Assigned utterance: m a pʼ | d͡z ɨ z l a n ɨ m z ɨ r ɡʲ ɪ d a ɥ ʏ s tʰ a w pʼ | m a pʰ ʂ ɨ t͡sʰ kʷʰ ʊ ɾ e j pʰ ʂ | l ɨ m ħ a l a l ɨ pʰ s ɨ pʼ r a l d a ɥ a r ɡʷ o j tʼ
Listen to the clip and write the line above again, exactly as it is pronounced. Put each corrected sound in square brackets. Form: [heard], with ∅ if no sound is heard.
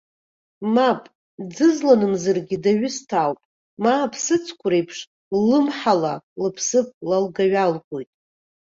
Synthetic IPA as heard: m a pʼ | d͡z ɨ z l a n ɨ m z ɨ r ɡʲ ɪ d a ɥ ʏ s tʰ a w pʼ | m a pʰ [s] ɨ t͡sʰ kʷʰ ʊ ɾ e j pʰ ʂ | l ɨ m ħ a l a l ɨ pʰ s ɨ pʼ [l] a l [ɡ] a ɥ a [l] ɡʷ o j tʼ